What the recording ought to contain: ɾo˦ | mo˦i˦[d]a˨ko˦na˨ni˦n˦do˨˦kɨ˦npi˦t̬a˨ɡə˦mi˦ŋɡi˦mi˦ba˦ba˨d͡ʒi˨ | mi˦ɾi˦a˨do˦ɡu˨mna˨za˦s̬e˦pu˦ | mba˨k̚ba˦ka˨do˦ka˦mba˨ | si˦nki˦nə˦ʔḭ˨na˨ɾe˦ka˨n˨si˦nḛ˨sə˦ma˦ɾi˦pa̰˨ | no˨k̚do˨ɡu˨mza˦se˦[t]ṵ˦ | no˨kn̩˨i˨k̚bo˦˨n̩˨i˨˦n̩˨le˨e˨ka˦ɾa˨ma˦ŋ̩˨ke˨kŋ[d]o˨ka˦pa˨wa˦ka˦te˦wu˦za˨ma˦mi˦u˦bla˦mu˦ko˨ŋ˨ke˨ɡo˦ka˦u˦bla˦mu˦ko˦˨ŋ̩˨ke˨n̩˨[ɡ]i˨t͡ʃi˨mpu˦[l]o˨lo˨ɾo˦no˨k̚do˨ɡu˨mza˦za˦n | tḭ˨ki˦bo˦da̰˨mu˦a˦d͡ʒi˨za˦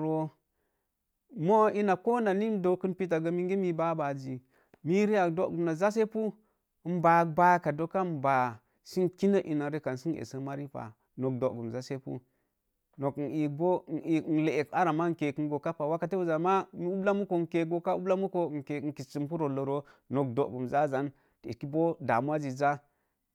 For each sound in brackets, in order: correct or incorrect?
incorrect: n, incorrect: p, incorrect: ɡ, incorrect: k, incorrect: ɾ

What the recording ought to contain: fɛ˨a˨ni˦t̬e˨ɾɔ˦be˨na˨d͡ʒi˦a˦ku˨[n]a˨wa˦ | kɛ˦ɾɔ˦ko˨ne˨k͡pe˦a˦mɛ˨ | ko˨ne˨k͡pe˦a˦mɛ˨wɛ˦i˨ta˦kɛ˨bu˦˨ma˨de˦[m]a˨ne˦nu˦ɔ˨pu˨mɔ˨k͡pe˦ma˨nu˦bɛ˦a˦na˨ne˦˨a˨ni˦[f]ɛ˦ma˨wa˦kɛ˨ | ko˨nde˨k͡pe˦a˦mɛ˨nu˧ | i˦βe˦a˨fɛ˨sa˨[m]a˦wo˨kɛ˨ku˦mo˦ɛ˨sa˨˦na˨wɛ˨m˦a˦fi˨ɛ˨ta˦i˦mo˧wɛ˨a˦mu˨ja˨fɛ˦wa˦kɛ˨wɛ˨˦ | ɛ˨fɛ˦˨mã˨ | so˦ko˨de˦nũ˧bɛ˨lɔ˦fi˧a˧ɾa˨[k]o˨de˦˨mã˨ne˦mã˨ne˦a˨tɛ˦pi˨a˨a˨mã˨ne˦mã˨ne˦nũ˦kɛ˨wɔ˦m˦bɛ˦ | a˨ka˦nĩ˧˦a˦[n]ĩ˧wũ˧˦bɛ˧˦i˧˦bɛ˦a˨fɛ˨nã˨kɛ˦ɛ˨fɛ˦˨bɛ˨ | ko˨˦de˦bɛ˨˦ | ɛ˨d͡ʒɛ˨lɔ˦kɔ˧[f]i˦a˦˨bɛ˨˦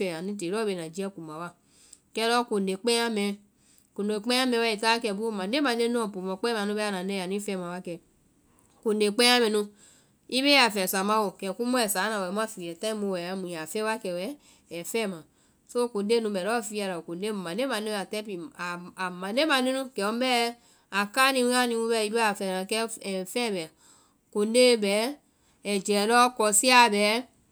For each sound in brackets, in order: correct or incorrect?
incorrect: m, correct, correct, correct, correct, correct, incorrect: s

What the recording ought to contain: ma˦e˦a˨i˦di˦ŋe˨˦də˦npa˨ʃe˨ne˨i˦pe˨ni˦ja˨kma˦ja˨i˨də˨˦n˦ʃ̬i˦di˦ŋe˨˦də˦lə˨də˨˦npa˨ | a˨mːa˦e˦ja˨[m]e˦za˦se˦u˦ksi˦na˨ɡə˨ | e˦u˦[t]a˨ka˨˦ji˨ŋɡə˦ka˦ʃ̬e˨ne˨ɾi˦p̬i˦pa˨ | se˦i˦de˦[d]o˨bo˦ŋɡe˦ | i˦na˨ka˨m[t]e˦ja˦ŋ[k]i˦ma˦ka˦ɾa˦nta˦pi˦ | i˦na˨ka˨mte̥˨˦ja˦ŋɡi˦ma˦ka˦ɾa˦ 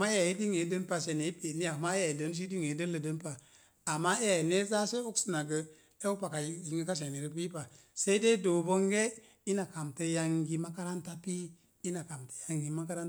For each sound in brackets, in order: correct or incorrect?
incorrect: n, incorrect: p, correct, correct, incorrect: ɡ

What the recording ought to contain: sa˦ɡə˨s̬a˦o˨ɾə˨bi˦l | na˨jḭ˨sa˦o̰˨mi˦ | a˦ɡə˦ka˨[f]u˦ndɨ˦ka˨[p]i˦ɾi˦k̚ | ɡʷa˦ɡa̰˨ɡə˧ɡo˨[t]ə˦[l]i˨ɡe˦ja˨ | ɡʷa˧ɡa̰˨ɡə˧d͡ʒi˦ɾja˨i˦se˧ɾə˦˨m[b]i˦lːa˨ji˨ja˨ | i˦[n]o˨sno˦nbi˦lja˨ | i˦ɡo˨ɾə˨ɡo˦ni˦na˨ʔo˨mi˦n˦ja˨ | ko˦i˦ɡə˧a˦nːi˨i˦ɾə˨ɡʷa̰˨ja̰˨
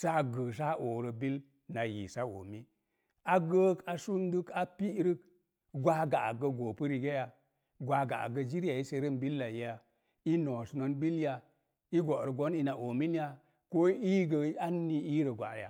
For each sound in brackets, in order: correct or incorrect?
incorrect: s, correct, incorrect: p, incorrect: ɾ, correct, correct

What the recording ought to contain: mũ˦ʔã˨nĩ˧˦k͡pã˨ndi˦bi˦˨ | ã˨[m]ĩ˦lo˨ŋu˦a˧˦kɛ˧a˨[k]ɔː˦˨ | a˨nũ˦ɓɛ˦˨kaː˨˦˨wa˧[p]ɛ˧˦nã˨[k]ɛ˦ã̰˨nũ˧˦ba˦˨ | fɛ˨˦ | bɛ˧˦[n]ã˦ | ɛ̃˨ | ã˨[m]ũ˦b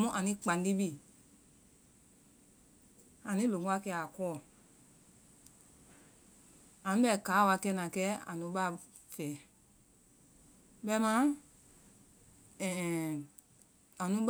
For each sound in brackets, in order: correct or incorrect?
incorrect: n, correct, incorrect: k, correct, incorrect: m, incorrect: n

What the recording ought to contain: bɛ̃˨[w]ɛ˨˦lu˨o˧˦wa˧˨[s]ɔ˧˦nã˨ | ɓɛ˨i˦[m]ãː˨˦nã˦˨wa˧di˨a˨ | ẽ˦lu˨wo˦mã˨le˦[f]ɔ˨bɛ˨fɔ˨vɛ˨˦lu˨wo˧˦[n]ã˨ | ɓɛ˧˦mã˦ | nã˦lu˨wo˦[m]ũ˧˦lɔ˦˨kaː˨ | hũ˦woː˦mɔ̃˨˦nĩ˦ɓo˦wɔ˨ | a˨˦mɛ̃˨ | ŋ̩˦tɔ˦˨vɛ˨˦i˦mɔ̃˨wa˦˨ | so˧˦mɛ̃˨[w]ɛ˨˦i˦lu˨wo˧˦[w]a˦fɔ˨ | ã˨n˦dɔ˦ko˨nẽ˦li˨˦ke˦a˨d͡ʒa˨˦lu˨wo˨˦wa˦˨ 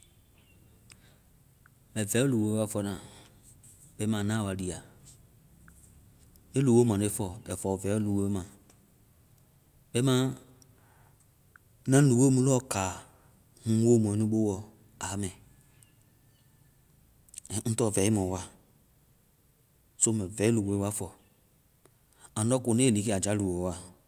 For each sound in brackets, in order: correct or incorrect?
incorrect: v, incorrect: f, correct, correct, incorrect: m, correct, incorrect: v, correct

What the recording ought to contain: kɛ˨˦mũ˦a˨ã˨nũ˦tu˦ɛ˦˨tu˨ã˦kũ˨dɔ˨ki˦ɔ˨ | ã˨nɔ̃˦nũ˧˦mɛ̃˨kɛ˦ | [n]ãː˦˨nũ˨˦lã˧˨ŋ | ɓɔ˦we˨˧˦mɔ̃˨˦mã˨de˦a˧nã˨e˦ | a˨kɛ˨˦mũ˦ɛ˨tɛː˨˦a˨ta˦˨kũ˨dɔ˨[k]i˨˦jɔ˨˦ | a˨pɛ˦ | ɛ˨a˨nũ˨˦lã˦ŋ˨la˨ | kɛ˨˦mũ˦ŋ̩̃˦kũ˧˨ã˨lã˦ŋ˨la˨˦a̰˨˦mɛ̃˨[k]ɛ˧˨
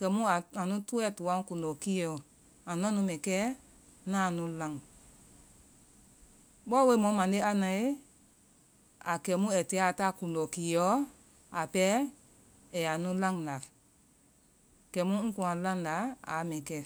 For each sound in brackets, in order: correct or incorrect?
correct, correct, correct

